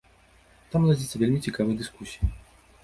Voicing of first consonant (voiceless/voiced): voiceless